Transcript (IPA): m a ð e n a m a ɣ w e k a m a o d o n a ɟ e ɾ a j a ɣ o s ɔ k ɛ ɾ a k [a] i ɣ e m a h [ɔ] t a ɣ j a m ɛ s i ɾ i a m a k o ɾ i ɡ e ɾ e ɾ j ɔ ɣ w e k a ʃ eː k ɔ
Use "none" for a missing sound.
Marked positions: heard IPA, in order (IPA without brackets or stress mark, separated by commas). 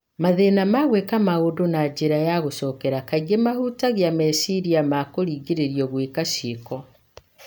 a, u